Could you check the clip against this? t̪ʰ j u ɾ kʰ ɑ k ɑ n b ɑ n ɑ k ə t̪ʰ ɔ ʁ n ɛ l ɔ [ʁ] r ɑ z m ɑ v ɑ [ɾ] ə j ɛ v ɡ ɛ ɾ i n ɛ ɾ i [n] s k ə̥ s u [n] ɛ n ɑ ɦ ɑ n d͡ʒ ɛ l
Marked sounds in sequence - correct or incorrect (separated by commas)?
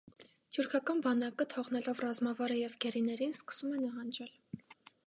incorrect, correct, correct, incorrect